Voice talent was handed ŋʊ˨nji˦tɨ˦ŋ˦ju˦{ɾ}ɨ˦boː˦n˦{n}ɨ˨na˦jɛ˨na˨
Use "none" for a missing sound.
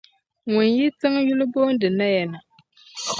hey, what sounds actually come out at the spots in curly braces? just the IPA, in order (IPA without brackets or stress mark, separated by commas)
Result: l, d